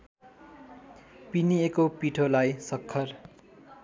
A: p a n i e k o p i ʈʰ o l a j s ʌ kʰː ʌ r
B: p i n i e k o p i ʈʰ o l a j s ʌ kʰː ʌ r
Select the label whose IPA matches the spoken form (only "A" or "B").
B